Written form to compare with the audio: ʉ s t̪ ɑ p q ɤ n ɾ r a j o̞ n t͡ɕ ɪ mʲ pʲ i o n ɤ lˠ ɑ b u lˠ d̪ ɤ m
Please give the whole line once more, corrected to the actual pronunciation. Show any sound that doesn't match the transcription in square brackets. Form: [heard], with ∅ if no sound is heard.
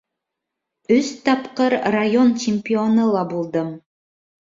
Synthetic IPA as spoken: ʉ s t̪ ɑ p q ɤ [∅] ɾ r a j o̞ n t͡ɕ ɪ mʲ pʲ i o n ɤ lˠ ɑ b u lˠ d̪ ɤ m